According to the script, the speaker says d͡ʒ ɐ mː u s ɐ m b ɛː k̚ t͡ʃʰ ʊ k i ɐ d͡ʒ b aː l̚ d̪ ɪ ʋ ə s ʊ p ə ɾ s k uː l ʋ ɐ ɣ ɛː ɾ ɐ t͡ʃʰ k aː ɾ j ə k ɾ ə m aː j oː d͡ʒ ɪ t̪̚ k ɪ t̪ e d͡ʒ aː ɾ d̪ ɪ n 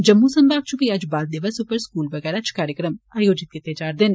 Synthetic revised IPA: d͡ʒ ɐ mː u s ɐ m b aː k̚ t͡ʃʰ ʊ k i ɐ d͡ʒ b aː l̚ d̪ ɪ ʋ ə s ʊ p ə ɾ s k uː l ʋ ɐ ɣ ɛː ɾ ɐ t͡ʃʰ k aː ɾ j ə k ɾ ə m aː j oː d͡ʒ ɪ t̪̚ k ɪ t̪ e d͡ʒ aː ɾ d̪ ɪ n